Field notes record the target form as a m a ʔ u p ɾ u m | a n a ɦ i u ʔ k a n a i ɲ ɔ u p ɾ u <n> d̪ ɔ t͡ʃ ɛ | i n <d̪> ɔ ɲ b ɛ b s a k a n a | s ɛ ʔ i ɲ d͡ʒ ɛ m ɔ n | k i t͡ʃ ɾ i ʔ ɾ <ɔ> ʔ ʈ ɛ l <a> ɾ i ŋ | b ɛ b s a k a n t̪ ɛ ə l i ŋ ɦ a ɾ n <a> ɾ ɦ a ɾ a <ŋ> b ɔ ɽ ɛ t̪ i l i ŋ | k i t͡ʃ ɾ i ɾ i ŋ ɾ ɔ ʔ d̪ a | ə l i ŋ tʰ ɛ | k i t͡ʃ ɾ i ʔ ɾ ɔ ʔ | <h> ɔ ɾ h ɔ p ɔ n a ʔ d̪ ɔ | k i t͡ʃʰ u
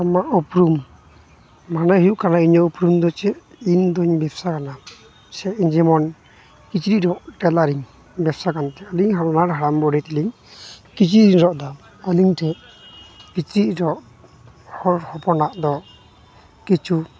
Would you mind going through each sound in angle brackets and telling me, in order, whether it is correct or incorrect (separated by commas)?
incorrect, correct, correct, correct, correct, incorrect, correct